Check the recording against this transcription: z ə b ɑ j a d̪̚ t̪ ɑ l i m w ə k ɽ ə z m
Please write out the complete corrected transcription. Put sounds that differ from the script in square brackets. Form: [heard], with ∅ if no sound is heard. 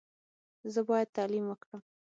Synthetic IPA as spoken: z ə b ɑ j a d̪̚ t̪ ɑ l i m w ə k ɽ ə [∅] m